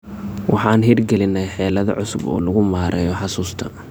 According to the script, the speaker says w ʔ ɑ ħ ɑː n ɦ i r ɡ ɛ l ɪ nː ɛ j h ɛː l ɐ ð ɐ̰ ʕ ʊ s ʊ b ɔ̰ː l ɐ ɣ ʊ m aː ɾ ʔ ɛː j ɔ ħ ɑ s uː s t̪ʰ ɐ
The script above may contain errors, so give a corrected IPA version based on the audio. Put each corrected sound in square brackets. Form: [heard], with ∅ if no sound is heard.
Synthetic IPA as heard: w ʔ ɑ ħ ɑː n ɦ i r ɡ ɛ l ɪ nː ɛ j [ħ] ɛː l ɐ ð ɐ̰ ʕ ʊ s ʊ b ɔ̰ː l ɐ ɣ ʊ m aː ɾ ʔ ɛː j ɔ ħ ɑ s uː s t̪ʰ ɐ